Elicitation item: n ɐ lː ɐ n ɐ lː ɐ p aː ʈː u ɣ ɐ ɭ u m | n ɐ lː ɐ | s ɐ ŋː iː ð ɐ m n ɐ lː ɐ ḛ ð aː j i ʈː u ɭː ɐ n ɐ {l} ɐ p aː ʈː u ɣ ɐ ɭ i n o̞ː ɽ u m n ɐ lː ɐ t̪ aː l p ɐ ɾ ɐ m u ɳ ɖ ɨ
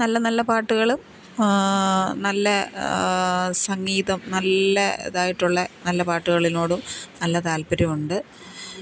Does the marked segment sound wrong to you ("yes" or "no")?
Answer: yes